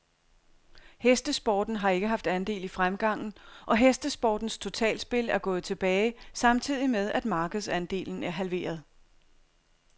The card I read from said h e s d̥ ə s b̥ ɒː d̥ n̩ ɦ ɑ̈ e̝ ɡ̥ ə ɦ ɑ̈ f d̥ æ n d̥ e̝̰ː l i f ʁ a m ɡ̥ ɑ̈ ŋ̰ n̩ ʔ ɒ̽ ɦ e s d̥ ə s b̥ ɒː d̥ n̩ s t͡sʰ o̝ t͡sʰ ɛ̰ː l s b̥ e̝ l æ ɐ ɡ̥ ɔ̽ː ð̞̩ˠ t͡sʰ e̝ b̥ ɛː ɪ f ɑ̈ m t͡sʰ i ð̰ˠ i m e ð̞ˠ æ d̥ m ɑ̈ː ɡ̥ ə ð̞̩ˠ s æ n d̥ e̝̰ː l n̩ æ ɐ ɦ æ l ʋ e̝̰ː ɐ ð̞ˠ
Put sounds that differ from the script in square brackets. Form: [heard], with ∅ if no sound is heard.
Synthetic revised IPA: h e s d̥ ə s b̥ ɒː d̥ n̩ ɦ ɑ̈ e̝ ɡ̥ ə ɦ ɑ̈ f d̥ æ n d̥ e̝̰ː l i f ʁ a m ɡ̥ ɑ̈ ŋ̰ n̩ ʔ ɒ̽ ɦ e s d̥ ə s b̥ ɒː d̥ n̩ s t͡sʰ o̝ t͡sʰ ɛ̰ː l s b̥ e̝ l æ ɐ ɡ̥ ɔ̽ː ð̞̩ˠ t͡sʰ e̝ b̥ ɛː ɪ [s] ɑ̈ m t͡sʰ i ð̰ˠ i m e ð̞ˠ æ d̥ m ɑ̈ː ɡ̥ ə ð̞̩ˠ s æ n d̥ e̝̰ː l n̩ æ ɐ ɦ æ l ʋ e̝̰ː ɐ ð̞ˠ

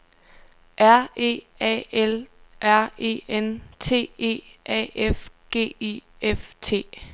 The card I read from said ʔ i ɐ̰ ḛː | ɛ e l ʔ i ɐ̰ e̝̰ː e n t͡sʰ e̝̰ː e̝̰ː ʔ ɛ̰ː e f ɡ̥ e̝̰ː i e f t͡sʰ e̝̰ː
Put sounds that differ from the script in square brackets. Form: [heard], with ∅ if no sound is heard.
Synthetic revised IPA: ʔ [æ] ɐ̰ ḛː | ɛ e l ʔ [æ] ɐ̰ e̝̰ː e n t͡sʰ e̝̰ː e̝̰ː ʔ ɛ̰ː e f ɡ̥ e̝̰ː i e f t͡sʰ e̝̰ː

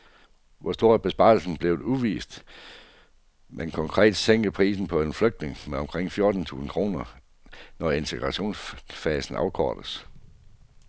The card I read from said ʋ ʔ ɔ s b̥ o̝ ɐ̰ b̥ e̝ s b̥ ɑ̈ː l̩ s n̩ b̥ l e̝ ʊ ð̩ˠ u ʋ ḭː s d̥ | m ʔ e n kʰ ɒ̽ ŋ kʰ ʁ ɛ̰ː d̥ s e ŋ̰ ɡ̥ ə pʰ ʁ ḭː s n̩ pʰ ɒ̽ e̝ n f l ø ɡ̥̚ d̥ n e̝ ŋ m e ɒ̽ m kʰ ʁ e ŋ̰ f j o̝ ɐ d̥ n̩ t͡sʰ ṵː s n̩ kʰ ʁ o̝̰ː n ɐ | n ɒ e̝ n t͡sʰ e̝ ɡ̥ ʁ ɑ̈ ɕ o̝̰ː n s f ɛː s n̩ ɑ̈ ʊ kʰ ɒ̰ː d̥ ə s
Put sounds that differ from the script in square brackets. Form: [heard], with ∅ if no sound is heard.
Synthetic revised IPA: ʋ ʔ [ɒ] s [d̥] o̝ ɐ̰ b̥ e̝ s b̥ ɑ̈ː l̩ s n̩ b̥ l e̝ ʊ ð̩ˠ u ʋ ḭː s d̥ | m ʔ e n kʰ ɒ̽ ŋ kʰ ʁ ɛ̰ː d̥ s e ŋ̰ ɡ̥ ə pʰ ʁ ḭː s n̩ pʰ ɒ̽ e̝ n f l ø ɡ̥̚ d̥ n e̝ ŋ m e ɒ̽ m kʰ ʁ e ŋ̰ f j o̝ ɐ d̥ n̩ t͡sʰ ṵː s n̩ kʰ ʁ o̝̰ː n ɐ | n ɒ e̝ n t͡sʰ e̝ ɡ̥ ʁ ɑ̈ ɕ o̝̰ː n s f ɛː s n̩ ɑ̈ ʊ kʰ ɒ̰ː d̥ ə s

